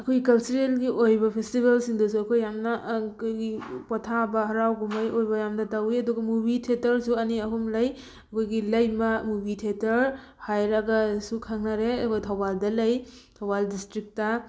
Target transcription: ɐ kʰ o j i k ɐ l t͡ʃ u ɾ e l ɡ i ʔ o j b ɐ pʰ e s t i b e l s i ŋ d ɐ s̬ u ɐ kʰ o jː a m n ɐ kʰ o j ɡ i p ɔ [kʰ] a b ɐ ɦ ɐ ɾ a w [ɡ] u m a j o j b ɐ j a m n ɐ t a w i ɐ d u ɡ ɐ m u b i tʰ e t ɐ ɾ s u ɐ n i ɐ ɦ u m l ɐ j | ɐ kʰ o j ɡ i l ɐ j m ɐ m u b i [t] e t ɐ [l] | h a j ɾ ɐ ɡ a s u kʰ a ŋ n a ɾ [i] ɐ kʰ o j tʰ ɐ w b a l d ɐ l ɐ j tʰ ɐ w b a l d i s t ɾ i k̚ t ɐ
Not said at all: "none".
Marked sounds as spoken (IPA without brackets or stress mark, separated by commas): tʰ, ɡ, tʰ, ɾ, e